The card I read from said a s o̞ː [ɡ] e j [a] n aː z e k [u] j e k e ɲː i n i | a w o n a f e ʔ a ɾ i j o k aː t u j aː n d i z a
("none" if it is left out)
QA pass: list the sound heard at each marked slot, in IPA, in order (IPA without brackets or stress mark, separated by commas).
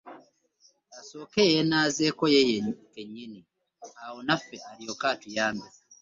k, e, o